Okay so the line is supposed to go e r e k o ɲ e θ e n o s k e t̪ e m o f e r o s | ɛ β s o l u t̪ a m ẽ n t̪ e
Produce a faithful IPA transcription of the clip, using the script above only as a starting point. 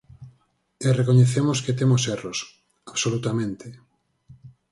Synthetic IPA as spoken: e r e k o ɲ e θ e m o s k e t̪ e m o s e r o s | a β s o l u t̪ a m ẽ n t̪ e